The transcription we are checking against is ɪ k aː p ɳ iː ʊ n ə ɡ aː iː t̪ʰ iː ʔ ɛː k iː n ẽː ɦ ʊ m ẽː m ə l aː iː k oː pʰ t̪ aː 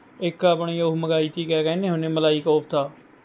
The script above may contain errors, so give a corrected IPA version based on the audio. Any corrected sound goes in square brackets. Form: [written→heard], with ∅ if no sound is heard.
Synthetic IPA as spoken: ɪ k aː p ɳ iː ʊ [n→m] ə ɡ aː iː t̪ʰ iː [ʔ→k] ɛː k [iː→ɛː] n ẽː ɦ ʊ [m→n] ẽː m ə l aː iː k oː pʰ t̪ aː

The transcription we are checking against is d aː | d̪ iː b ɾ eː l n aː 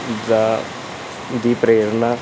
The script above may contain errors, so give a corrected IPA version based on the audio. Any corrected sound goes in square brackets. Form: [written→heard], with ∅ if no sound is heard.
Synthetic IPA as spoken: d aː | d̪ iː [b→p] ɾ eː [l→ɾ] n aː

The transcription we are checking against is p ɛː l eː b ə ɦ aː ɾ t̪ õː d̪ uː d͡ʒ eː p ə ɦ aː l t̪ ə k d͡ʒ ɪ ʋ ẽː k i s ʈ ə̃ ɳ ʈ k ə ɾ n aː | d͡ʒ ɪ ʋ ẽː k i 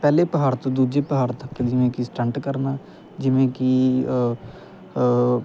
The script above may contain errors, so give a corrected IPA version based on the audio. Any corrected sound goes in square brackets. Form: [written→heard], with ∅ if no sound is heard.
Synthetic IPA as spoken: p ɛː l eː [b→p] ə ɦ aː ɾ t̪ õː d̪ uː d͡ʒ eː p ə ɦ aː [l→ɾ] t̪ ə k d͡ʒ ɪ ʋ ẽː k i s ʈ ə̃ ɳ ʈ k ə ɾ n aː | d͡ʒ ɪ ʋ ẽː k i

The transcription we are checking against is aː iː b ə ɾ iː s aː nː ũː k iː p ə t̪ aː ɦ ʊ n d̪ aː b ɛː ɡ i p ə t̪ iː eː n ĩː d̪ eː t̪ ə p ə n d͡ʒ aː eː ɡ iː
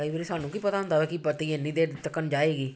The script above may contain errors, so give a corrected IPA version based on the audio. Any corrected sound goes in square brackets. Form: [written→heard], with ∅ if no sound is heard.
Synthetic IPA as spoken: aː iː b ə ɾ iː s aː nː ũː k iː p ə t̪ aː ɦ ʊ n d̪ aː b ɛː [ɡ→k] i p ə t̪ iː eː n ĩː d̪ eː t̪ ə [p→k] ə n d͡ʒ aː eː ɡ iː

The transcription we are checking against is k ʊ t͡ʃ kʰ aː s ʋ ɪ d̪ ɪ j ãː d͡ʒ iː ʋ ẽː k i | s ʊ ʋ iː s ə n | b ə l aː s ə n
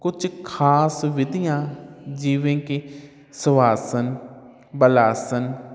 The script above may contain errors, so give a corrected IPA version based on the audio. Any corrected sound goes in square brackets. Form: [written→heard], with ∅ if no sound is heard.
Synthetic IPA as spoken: k ʊ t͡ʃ kʰ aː s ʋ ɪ d̪ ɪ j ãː d͡ʒ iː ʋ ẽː k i | s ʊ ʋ [iː→aː] s ə n | b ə l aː s ə n

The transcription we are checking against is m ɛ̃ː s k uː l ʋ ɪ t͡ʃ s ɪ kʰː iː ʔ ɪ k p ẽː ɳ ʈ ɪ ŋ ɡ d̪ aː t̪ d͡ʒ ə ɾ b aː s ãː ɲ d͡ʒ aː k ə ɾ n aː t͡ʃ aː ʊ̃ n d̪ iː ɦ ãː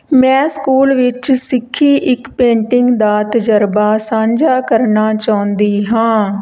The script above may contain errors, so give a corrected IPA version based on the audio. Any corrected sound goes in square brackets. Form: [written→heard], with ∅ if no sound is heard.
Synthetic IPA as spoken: m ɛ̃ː s k uː l ʋ ɪ t͡ʃ s ɪ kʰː iː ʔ ɪ k p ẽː ɳ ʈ ɪ ŋ ɡ d̪ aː t̪ d͡ʒ ə ɾ b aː s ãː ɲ d͡ʒ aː k ə ɾ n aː t͡ʃ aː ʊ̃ n d̪ iː ɦ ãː

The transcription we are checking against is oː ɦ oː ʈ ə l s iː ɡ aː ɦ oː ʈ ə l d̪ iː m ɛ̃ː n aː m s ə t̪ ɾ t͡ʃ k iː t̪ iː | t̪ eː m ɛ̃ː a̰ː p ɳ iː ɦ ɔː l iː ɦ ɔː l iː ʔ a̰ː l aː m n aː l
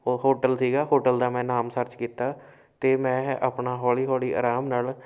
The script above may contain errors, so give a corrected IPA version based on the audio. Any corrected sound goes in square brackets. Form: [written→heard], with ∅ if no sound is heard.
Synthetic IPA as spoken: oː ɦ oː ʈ ə l s iː ɡ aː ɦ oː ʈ ə l d̪ [iː→aː] m ɛ̃ː n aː m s ə [t̪→∅] ɾ t͡ʃ k iː t̪ [iː→aː] | t̪ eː m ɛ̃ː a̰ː p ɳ [iː→aː] ɦ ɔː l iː ɦ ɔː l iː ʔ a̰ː [l→ɾ] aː m n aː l

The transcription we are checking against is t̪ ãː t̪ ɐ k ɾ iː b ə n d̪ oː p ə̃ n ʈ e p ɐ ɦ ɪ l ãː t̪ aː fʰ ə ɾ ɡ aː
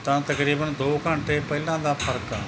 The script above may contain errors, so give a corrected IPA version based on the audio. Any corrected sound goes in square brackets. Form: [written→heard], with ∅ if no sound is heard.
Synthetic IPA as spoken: t̪ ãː t̪ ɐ k ɾ iː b ə n d̪ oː [p→k] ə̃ [n→ɳ] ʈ e p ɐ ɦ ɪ l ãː [t̪→d̪] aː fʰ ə ɾ [ɡ→k] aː

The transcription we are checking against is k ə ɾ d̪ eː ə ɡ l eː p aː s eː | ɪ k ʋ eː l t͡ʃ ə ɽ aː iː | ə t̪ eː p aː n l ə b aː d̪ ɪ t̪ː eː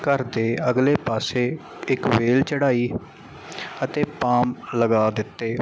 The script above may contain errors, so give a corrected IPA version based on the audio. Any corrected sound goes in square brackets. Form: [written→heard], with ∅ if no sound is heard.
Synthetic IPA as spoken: k ə ɾ d̪ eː ə ɡ l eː p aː s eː | ɪ k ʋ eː l t͡ʃ ə ɽ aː iː | ə t̪ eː p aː [n→m] l ə [b→ɡ] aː d̪ ɪ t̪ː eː

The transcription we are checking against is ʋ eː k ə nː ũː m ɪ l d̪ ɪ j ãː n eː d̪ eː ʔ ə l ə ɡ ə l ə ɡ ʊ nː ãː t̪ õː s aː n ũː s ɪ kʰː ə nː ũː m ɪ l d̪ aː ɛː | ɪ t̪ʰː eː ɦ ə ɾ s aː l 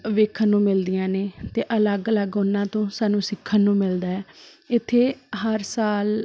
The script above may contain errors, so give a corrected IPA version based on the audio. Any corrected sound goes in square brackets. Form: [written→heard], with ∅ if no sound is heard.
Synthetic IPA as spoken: ʋ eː [k→kʰ] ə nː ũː m ɪ l d̪ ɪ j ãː n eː [d̪→t̪] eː ʔ ə l ə ɡ ə l ə ɡ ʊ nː ãː t̪ õː s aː n ũː s ɪ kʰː ə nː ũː m ɪ l d̪ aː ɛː | ɪ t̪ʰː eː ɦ ə ɾ s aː l

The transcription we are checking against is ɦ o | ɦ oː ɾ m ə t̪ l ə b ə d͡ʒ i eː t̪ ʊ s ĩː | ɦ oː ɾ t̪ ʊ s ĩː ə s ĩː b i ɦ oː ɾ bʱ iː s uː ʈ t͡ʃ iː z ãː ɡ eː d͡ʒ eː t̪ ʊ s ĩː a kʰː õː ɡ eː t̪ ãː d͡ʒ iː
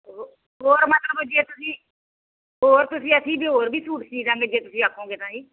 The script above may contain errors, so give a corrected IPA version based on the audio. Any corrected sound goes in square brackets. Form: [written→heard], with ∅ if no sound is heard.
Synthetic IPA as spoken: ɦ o | ɦ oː ɾ m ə t̪ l ə b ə d͡ʒ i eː t̪ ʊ s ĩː | ɦ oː ɾ t̪ ʊ s ĩː ə s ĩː b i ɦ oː ɾ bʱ iː s uː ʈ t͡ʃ iː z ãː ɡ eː d͡ʒ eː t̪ ʊ s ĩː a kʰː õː ɡ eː t̪ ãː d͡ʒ iː

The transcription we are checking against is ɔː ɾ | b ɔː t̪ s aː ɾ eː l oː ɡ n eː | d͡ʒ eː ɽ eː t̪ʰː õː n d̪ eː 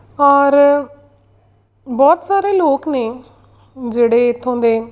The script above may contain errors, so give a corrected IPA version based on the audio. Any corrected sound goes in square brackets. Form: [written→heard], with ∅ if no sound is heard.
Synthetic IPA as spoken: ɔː ɾ | b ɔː t̪ s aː ɾ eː l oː [ɡ→k] n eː | d͡ʒ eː ɽ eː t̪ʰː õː n d̪ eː

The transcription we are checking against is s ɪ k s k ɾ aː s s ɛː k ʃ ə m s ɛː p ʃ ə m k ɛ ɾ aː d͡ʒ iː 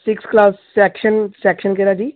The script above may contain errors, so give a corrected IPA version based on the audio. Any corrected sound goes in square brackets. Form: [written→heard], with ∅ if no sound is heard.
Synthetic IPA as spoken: s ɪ k s k [ɾ→l] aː s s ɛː k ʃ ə [m→n] s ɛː [p→k] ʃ ə [m→n] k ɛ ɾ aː d͡ʒ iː

